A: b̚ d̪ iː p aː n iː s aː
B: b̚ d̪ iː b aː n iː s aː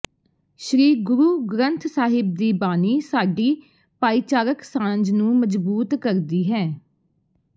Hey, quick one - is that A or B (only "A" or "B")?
B